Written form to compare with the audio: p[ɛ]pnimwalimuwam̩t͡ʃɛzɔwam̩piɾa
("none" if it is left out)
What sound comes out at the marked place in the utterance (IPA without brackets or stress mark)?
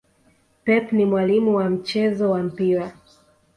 ɛ